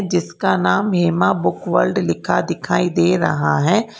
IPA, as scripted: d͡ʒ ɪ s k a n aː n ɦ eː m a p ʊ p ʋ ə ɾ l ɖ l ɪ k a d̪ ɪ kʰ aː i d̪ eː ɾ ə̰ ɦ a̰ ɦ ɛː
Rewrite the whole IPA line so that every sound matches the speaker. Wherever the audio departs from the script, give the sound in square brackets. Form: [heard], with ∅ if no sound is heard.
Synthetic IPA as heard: d͡ʒ ɪ s k a n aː [m] ɦ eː m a [b] ʊ [k] ʋ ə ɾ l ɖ l ɪ [kʰ] a d̪ ɪ kʰ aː i d̪ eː ɾ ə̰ ɦ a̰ ɦ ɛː